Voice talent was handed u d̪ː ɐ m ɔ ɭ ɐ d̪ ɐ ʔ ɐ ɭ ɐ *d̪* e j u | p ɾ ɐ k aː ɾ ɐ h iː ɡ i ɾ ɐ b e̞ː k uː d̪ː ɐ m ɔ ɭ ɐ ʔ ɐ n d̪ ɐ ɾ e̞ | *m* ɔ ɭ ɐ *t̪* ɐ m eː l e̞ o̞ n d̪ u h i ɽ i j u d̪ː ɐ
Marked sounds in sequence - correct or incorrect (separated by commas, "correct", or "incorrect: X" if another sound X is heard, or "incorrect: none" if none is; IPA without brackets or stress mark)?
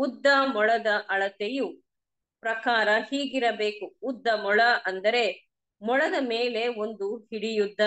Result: incorrect: t̪, correct, incorrect: d̪